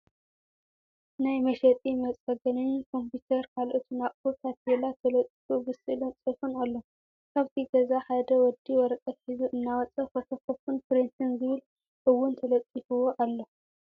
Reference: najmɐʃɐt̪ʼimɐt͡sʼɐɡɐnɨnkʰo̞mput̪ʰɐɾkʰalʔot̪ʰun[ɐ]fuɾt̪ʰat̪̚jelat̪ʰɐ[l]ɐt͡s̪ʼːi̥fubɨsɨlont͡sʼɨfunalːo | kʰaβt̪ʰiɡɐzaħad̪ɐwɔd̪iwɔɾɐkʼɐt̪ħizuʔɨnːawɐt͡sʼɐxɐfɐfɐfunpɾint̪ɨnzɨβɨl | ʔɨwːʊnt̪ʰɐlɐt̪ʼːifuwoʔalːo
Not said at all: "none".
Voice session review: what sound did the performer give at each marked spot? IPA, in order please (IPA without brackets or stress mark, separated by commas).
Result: a, l